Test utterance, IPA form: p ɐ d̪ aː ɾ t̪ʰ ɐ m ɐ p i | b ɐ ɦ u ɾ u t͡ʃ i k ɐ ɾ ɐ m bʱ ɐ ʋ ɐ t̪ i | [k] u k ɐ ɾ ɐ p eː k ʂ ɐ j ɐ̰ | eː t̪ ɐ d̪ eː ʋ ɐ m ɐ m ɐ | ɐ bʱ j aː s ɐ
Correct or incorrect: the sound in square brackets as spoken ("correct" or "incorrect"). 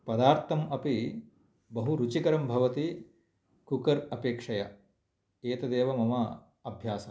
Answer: correct